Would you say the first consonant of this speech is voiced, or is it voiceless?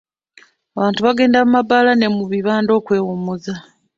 voiced